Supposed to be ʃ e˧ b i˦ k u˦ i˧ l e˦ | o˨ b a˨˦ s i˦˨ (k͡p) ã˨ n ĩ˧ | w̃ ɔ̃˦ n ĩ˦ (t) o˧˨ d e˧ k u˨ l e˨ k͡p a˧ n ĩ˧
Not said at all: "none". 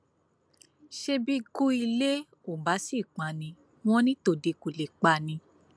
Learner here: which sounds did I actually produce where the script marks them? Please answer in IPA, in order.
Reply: k͡p, t

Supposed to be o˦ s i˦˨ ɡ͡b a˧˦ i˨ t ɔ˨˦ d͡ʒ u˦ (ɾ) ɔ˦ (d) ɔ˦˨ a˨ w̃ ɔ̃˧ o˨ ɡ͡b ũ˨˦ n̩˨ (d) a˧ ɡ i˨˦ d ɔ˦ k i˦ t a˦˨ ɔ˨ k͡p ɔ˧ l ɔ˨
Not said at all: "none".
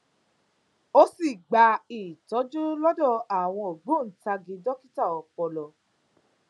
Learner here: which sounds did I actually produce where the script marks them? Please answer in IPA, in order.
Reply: l, d, t

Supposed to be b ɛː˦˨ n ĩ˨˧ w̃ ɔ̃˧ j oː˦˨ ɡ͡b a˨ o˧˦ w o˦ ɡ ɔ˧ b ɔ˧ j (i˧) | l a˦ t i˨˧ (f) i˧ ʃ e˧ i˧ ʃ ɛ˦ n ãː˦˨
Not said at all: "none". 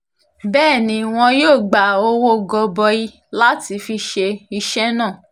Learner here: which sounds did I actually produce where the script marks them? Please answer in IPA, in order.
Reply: i˧, f

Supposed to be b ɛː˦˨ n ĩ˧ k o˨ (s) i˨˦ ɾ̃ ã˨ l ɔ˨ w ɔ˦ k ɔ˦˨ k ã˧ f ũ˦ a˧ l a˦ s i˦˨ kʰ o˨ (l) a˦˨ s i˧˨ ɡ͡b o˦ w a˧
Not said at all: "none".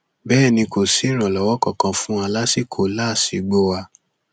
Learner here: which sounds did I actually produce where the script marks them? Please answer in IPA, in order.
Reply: s, l

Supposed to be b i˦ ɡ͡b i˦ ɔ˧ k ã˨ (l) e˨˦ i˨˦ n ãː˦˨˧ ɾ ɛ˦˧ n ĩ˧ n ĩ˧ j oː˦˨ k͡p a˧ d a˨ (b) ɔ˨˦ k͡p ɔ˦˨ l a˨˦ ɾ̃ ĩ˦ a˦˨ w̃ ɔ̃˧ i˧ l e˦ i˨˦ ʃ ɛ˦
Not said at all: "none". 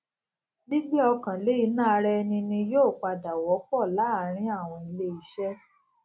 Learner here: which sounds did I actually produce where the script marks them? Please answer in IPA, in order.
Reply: l, w

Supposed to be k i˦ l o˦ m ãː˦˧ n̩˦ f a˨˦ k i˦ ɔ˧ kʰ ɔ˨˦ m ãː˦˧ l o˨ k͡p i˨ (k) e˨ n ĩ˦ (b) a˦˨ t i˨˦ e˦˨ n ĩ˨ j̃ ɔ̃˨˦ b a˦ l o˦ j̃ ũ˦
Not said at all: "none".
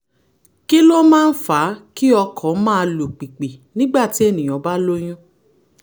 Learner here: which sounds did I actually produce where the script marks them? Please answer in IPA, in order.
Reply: k͡p, ɡ͡b

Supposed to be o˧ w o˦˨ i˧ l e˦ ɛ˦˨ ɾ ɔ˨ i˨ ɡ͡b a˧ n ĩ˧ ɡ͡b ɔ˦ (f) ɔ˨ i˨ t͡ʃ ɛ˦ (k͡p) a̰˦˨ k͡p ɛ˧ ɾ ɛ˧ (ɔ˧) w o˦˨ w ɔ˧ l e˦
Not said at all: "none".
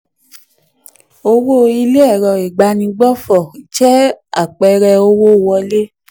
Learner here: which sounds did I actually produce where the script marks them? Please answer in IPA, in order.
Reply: f, none, o˧

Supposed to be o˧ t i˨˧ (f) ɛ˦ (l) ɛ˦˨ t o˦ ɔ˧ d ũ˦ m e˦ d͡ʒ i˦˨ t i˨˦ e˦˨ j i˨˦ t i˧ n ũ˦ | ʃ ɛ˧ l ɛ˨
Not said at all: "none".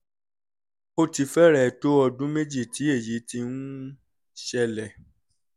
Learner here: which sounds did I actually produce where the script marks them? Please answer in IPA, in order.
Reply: f, ɾ

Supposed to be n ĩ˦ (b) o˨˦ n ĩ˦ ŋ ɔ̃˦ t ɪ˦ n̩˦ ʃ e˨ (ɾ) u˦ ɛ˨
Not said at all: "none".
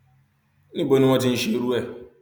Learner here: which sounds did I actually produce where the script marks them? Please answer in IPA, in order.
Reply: b, ɾ

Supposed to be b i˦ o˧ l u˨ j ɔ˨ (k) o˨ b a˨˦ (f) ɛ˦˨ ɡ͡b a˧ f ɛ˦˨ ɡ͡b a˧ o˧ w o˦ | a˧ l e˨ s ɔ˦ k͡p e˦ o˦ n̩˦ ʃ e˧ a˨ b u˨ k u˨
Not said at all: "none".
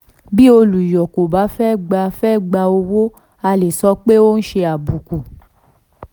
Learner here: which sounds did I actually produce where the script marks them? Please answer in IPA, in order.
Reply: k, f

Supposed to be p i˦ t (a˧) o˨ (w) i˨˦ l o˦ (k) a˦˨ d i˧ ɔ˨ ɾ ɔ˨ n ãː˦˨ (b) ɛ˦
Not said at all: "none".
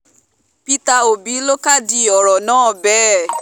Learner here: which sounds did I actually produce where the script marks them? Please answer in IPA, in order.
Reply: a˧, b, k, b

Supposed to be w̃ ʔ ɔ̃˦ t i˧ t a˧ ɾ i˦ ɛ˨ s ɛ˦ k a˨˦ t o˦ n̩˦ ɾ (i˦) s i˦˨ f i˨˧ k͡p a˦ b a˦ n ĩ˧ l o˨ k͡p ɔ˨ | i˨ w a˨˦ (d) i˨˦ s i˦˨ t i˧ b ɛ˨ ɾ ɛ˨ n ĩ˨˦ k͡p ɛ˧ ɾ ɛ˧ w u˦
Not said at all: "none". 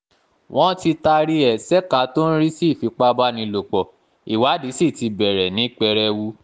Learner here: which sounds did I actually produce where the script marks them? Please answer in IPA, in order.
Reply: i˦, d

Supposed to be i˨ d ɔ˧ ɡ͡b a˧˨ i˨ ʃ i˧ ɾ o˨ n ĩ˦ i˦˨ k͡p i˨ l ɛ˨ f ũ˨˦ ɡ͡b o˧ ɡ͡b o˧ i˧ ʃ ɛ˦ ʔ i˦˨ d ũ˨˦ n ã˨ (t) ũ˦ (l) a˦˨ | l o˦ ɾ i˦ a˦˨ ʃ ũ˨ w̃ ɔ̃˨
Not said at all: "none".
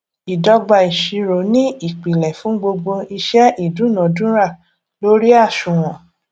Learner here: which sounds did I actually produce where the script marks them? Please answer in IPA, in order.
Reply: d, ɾ

